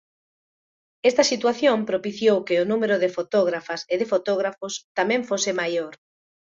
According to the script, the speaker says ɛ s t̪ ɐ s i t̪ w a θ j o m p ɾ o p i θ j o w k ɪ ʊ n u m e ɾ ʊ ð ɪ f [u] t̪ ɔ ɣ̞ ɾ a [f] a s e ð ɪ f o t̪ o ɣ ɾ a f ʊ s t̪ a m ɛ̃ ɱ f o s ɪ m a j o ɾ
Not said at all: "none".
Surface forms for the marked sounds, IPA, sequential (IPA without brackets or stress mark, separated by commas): o, f